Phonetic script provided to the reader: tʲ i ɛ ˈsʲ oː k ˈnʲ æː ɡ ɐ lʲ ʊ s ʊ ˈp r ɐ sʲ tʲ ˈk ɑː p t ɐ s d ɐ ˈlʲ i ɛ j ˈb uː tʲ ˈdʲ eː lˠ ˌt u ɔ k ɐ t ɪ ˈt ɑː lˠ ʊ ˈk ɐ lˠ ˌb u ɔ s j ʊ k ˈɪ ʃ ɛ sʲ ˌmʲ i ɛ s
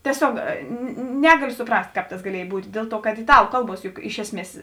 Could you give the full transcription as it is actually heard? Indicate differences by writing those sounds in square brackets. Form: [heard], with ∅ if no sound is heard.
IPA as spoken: tʲ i ɛ ˈsʲ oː k ˈnʲ æː ɡ ɐ lʲ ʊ s ʊ ˈp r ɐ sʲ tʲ ˈk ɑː p t ɐ s [ɡ] ɐ ˈlʲ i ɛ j ˈb uː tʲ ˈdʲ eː lˠ ˌt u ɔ k ɐ t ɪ ˈt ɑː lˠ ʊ ˈk ɐ lˠ ˌb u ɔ s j ʊ k ˈɪ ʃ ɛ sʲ ˌmʲ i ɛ s